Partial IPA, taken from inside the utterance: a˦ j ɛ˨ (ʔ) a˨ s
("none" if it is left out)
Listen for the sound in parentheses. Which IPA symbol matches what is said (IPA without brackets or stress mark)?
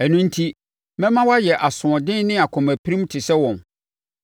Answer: ʔ